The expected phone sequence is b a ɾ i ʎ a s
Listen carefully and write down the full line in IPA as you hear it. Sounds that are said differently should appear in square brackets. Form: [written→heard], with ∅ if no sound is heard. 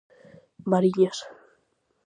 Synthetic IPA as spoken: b a ɾ i ʎ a s